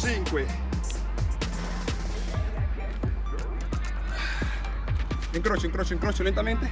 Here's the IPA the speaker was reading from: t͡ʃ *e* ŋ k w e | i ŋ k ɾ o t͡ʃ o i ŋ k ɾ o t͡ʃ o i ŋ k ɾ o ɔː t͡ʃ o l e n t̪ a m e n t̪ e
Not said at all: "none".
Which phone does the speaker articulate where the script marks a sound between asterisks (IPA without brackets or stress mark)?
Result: i